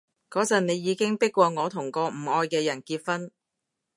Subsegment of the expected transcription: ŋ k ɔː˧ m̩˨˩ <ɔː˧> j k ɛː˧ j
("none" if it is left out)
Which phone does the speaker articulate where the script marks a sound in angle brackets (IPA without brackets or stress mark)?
ɔː˧